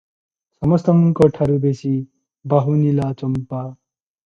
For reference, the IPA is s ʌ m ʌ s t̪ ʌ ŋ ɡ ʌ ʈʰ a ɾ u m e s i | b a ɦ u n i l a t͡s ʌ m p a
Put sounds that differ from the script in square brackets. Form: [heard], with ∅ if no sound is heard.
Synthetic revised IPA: s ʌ m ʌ s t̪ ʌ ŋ [k] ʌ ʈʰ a ɾ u [b] e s i | b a ɦ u n i l a t͡s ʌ m p a